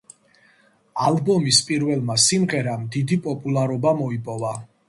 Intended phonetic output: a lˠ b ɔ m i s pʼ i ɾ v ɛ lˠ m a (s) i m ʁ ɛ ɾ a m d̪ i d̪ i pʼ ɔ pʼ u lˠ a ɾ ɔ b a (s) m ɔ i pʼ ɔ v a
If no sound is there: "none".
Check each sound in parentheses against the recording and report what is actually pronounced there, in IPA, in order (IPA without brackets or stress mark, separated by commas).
s, none